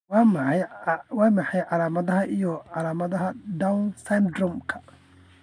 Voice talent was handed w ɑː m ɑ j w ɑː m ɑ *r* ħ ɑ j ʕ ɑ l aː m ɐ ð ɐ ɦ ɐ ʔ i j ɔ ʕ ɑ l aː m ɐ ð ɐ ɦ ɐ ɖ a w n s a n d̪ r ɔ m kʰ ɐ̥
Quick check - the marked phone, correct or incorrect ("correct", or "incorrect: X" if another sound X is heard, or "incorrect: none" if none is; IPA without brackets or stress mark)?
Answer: incorrect: none